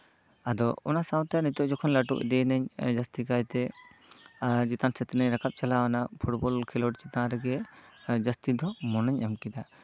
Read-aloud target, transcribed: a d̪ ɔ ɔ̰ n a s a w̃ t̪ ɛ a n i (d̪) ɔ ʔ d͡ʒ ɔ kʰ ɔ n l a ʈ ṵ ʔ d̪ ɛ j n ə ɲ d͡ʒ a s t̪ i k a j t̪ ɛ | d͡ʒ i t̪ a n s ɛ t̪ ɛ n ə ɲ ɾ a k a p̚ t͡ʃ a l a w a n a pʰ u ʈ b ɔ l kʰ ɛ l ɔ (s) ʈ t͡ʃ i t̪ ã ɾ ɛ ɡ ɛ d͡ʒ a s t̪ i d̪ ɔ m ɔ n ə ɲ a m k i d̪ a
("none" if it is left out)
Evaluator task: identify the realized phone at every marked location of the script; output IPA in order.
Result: t̪, none

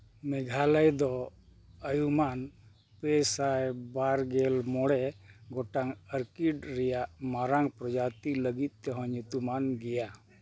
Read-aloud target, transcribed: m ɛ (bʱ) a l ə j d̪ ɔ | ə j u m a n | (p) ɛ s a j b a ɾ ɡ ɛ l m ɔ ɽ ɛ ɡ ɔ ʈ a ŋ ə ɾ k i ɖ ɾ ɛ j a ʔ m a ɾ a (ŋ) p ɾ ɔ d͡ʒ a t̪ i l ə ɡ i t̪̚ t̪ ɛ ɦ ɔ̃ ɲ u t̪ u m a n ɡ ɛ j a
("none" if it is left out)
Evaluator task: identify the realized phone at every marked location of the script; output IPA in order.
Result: ɡʱ, p, ŋ

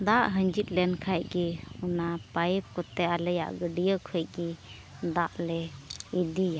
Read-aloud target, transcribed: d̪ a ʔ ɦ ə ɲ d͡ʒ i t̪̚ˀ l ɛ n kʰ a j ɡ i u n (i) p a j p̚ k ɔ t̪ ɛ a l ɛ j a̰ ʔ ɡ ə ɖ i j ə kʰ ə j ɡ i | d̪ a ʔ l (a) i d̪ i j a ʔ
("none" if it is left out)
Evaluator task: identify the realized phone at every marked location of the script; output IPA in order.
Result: a, ɛ

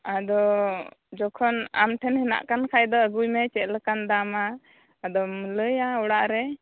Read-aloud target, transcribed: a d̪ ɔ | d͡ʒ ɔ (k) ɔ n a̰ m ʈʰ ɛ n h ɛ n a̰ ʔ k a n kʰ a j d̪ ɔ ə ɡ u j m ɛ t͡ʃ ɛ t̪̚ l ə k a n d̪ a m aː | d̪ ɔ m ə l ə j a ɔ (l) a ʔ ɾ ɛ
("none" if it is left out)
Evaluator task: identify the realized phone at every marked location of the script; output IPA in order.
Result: kʰ, ɽ

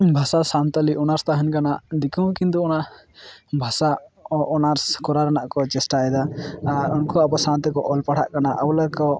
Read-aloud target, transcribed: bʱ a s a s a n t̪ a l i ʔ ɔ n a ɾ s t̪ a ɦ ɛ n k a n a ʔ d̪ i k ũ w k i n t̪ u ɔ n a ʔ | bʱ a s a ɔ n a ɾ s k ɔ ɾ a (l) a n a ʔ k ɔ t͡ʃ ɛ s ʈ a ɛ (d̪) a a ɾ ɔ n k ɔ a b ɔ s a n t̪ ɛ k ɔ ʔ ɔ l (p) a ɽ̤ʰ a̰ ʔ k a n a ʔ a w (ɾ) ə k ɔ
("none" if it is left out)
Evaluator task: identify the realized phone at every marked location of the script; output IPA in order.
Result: ɾ, d̪, p, l

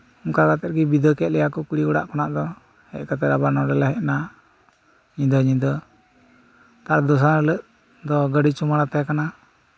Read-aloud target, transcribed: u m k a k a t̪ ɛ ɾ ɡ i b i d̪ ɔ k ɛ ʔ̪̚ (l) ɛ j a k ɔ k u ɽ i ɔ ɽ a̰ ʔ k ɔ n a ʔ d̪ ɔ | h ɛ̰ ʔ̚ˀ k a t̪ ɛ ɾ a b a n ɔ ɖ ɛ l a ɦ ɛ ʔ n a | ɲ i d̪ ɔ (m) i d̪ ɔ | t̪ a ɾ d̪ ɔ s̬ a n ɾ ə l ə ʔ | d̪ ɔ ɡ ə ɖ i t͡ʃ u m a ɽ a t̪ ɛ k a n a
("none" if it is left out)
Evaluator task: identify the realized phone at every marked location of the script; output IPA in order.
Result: l, ɲ

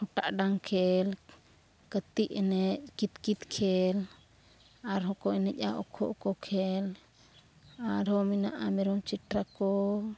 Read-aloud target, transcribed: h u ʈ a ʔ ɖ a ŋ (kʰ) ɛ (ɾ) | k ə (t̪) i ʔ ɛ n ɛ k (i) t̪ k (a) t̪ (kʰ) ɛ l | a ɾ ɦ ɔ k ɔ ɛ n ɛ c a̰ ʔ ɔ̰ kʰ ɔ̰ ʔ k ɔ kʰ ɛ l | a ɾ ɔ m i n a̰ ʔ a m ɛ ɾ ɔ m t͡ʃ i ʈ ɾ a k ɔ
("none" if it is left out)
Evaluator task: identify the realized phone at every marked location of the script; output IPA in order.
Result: kʰ, l, t̪, i, i, kʰ

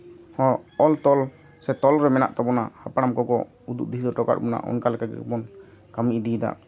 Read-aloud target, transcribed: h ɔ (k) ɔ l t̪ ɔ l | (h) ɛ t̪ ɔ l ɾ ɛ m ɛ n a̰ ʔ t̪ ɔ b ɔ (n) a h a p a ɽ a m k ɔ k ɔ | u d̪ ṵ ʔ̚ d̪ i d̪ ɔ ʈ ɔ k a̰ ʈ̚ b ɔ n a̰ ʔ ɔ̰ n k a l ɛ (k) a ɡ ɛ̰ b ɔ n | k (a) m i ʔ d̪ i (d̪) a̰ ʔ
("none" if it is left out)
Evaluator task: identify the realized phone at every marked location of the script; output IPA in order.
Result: none, s, n, k, a, d̪

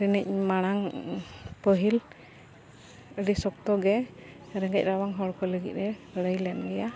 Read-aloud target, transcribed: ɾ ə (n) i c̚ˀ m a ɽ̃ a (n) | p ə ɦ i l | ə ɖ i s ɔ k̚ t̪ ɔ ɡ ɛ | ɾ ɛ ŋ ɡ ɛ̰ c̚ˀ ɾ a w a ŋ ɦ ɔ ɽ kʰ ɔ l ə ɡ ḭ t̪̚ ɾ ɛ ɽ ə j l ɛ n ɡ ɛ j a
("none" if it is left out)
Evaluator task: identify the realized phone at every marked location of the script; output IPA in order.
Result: n, ŋ

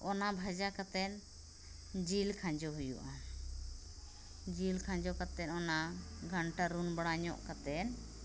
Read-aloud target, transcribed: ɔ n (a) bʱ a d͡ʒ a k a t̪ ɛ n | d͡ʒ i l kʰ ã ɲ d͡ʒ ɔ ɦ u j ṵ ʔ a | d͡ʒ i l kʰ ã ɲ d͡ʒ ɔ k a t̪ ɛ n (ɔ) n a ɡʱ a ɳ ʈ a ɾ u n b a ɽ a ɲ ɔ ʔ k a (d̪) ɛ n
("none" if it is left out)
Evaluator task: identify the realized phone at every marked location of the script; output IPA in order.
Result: a, ɔ, t̪

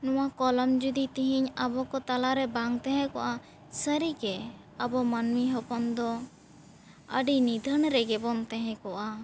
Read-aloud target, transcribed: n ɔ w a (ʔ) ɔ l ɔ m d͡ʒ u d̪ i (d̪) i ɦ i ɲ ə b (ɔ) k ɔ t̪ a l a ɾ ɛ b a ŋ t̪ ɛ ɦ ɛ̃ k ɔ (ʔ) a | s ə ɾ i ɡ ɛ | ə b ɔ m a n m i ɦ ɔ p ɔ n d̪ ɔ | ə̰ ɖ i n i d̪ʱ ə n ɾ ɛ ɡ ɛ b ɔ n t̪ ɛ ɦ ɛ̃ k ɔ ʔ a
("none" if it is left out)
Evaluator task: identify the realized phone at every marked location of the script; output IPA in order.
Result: k, t̪, ɔ, ʔ

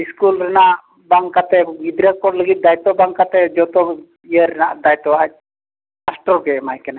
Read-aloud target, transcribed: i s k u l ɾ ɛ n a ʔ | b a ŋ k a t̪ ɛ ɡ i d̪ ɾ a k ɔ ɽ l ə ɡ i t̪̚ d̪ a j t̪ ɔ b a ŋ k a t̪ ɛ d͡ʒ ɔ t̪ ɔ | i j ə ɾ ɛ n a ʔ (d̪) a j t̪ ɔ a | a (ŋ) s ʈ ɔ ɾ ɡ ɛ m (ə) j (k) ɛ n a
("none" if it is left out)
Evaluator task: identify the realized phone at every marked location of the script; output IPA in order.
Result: d̪, none, a, k

